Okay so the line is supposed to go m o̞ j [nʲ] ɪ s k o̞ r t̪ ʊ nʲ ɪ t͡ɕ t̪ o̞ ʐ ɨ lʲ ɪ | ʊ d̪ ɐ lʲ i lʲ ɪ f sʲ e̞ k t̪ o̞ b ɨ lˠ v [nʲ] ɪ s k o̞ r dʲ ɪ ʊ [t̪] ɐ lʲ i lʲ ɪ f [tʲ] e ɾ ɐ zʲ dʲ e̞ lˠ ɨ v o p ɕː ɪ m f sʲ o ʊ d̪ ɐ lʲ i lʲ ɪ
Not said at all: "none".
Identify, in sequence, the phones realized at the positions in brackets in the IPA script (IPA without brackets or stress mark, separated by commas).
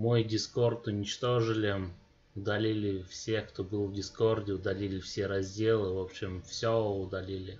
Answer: dʲ, dʲ, d̪, sʲ